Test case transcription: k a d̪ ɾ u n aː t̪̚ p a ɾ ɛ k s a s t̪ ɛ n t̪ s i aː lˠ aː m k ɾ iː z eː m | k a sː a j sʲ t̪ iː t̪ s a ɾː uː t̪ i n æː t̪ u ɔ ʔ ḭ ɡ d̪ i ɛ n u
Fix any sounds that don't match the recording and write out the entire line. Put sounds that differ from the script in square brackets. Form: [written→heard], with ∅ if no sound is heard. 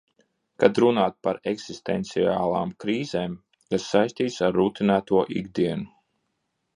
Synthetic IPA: k a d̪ ɾ u n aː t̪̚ p a ɾ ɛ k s [a→i] s t̪ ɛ n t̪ s i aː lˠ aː m k ɾ iː z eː m | k a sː a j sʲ t̪ iː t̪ s a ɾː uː t̪ i n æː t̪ u ɔ ʔ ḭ ɡ d̪ i ɛ n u

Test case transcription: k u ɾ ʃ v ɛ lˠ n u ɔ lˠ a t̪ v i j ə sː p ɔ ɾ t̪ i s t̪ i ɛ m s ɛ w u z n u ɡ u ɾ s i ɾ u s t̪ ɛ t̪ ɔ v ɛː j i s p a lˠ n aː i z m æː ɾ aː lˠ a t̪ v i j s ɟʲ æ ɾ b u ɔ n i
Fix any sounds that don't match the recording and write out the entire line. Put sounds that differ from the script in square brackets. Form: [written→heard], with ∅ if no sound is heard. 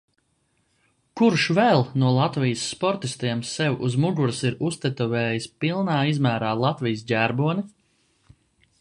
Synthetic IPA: k u ɾ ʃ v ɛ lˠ n u ɔ lˠ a t̪ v i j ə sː p ɔ ɾ t̪ i s t̪ i ɛ m s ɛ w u z [n→m] u ɡ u ɾ s i ɾ u s t̪ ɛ t̪ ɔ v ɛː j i s p [a→i] lˠ n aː i z m æː ɾ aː lˠ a t̪ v i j s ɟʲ æ ɾ b u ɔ n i

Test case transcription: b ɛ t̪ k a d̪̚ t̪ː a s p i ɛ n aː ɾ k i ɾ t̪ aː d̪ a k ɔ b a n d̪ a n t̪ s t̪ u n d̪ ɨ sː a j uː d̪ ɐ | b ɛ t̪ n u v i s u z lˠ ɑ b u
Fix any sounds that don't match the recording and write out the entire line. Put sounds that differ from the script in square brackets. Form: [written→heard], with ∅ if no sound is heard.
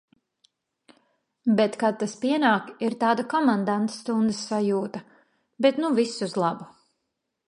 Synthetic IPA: b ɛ t̪ k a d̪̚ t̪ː a s p i ɛ n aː [ɾ→∅] k i ɾ t̪ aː d̪ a k ɔ [b→m] a n d̪ a n t̪ s t̪ u n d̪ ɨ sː a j uː [d̪→t̪] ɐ | b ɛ t̪ n u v i s u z lˠ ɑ b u

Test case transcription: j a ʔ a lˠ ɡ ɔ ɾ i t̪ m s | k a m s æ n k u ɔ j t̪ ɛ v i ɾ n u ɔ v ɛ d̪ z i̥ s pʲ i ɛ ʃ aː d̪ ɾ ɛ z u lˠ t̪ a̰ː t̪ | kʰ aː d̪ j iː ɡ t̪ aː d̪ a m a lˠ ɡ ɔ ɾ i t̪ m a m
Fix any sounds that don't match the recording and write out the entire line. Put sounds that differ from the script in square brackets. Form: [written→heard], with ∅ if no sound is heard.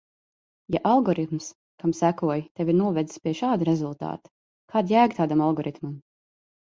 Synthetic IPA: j a ʔ a lˠ ɡ ɔ ɾ i t̪ m s | k a m s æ [n→∅] k u ɔ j t̪ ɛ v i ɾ n u ɔ v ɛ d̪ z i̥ s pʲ i ɛ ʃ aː d̪ ɾ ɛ z u lˠ t̪ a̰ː t̪ | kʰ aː d̪ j [iː→æː] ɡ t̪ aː d̪ a m a lˠ ɡ ɔ ɾ i t̪ m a m

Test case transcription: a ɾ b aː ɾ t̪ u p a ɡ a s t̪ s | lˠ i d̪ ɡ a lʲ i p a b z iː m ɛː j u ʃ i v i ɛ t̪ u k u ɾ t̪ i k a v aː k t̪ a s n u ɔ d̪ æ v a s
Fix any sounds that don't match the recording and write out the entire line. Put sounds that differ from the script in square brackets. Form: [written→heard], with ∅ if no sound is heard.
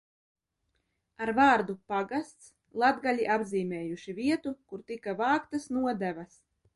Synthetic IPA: a ɾ [b→v] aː ɾ [t̪→d̪] u p a ɡ a s t̪ s | lˠ [i→a] d̪ ɡ a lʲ i [p→ʔ] a b z iː m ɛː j u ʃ i v i ɛ t̪ u k u ɾ t̪ i k a v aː k t̪ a s n u ɔ d̪ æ v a s

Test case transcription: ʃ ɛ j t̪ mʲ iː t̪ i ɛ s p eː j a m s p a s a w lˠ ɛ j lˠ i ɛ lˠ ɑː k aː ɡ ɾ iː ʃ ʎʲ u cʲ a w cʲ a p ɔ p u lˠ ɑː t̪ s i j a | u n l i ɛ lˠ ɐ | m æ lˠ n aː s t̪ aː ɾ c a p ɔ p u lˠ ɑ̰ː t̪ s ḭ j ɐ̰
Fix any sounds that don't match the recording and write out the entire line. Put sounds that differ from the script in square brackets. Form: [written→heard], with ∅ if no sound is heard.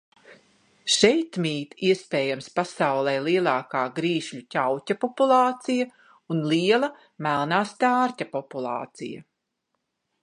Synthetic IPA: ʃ ɛ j t̪ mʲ iː t̪ i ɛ s p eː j a m s p a s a w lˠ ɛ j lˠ i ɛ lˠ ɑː k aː ɡ ɾ iː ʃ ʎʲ u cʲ a w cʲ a p ɔ p u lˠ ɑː t̪ s i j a | u n l i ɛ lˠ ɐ | m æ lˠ n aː s t̪ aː ɾ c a p ɔ p u lˠ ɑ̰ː t̪ s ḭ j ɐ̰

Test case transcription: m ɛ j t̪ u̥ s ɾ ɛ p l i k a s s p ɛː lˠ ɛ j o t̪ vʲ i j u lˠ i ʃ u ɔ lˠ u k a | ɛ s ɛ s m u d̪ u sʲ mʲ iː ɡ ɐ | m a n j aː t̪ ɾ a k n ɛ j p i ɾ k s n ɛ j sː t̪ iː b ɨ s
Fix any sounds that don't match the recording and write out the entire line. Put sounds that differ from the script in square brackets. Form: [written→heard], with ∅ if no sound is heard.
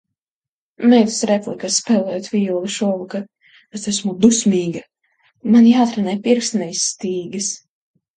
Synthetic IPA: m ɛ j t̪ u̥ s ɾ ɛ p l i k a s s p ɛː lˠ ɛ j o t̪ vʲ i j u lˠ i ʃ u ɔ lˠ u k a | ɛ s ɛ s m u d̪ u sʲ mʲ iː ɡ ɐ | m a n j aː t̪ ɾ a [k→∅] n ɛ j p i ɾ k s n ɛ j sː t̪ iː [b→ɡ] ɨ s

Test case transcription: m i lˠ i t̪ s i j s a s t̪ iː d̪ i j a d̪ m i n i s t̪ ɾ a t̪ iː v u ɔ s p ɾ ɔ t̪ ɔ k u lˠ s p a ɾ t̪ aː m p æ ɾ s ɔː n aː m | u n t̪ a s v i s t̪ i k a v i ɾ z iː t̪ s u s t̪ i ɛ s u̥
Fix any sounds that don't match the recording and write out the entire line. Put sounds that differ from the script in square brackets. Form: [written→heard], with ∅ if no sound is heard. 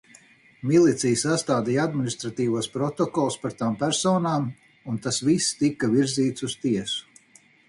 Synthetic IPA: m i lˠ i t̪ s i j s a s t̪ [iː→aː] d̪ i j a d̪ m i n i s t̪ ɾ a t̪ iː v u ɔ s p ɾ ɔ t̪ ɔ k [u→ɔ] lˠ s p a ɾ t̪ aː m p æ ɾ s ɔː n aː m | u n t̪ a s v i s t̪ i k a v i ɾ z iː t̪ s u s t̪ i ɛ s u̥

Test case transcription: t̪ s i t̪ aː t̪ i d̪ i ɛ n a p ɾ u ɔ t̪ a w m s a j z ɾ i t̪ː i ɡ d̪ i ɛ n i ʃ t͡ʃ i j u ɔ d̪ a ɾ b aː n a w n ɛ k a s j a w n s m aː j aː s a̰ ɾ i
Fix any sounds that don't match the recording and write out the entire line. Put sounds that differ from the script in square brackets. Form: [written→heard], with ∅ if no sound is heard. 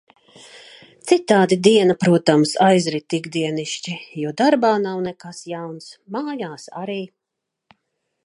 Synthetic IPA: t̪ s i t̪ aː [t̪→d̪] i d̪ i ɛ n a p ɾ u ɔ t̪ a [w→∅] m s a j z ɾ i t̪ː i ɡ d̪ i ɛ n i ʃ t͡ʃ i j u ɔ d̪ a ɾ b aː n a w n ɛ k a s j a w n s m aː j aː s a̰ ɾ [i→iː]

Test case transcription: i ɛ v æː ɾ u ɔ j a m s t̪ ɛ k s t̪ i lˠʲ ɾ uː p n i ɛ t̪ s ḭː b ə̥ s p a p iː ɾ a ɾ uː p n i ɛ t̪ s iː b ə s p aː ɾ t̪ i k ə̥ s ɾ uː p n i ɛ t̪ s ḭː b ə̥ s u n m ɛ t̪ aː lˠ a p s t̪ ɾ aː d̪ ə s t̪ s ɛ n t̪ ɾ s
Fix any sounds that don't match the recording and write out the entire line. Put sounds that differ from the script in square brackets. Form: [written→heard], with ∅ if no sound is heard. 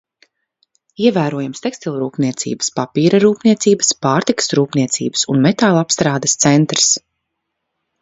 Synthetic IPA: i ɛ v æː ɾ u ɔ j a m s t̪ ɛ k s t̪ i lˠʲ ɾ uː p n i ɛ t̪ s ḭː b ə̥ s p a p iː ɾ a ɾ uː p n i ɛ t̪ s iː b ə s p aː ɾ t̪ i k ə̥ s ɾ uː p n i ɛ t̪ s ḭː b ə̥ s u n m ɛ t̪ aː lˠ a p s t̪ ɾ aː d̪ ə s t̪ s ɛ n t̪ ɾ s

